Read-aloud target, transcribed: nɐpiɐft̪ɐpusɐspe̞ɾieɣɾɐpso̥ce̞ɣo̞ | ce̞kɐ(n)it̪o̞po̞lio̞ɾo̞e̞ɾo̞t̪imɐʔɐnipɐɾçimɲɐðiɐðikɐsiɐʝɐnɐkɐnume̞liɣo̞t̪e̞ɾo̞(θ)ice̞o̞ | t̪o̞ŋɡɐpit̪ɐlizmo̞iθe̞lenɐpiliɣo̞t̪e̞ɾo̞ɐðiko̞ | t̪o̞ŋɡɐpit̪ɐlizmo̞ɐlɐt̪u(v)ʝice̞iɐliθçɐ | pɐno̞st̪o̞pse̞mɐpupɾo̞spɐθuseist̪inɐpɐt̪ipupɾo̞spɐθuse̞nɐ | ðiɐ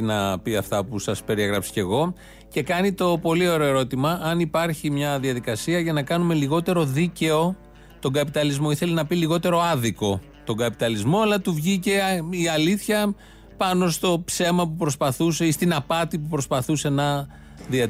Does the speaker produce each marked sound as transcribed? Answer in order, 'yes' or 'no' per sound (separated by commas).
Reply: yes, no, yes